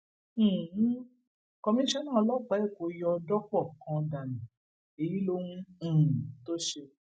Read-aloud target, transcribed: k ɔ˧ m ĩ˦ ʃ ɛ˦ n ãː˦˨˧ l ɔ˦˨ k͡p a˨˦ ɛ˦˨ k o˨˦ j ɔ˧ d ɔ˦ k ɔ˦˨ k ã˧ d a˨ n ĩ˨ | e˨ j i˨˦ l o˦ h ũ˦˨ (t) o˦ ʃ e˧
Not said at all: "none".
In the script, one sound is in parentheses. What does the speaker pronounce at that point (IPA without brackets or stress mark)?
t